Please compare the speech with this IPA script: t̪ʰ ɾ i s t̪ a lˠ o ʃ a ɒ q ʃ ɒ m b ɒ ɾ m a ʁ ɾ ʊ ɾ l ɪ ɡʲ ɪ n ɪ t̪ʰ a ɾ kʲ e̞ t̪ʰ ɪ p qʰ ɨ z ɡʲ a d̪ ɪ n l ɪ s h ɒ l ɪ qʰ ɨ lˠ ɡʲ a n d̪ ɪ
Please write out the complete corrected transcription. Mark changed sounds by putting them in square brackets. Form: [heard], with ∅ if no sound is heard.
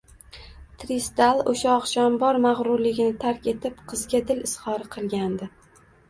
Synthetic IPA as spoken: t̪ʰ ɾ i s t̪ a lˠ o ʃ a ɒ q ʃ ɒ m b ɒ ɾ m a ʁ ɾ ʊ ɾ l ɪ ɡʲ ɪ n ɪ t̪ʰ a ɾ kʲ e̞ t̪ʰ ɪ p qʰ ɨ z ɡʲ a d̪ ɪ [∅] l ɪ s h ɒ [ɾ] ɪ qʰ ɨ lˠ ɡʲ a n d̪ ɪ